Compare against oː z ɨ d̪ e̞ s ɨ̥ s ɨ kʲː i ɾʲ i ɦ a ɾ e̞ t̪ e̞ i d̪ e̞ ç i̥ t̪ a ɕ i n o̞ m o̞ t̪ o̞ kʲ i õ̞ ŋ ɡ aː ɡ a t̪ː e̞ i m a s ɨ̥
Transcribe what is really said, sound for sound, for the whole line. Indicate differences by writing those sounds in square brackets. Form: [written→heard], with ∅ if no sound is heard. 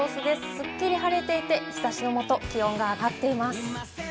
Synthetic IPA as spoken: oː [z→s] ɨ d̪ e̞ s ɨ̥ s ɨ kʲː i ɾʲ i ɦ a ɾ e̞ t̪ e̞ i [d̪→t̪] e̞ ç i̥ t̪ a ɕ i n o̞ m o̞ t̪ o̞ kʲ i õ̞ ŋ ɡ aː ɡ a t̪ː e̞ i m a s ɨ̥